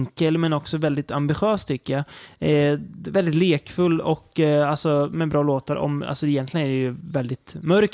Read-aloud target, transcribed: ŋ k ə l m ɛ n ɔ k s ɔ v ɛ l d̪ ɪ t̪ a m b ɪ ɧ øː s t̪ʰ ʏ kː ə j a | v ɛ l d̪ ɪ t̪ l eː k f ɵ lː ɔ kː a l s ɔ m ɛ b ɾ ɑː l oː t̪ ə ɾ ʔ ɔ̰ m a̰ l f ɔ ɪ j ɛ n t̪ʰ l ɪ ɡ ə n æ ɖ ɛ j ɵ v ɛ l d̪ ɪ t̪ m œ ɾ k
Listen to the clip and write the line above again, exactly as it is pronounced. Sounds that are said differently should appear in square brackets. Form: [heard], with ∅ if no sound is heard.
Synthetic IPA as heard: ŋ k ə l m ɛ n ɔ k s ɔ v ɛ l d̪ ɪ t̪ a m b ɪ ɧ øː s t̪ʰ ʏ kː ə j a | v ɛ l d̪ ɪ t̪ l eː k f ɵ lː ɔ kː a l s ɔ m ɛ b ɾ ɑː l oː t̪ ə ɾ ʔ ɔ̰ m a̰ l [s] ɔ ɪ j ɛ n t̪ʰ l ɪ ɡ ə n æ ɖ ɛ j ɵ v ɛ l d̪ ɪ t̪ m œ ɾ k